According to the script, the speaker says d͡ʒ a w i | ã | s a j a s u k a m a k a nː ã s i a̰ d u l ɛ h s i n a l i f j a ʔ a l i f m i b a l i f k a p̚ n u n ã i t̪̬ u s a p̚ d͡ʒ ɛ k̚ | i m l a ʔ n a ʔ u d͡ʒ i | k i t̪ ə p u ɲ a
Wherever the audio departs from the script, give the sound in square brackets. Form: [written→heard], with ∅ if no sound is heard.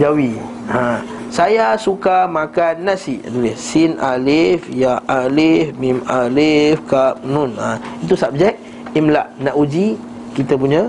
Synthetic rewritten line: d͡ʒ a w i | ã | s a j a s u k a m a k a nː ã s i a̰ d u l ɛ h s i n a l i f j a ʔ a l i f m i [b→m] a l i f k a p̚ n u n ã i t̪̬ u s a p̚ d͡ʒ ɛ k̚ | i m l a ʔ n a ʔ u d͡ʒ i | k i t̪ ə p u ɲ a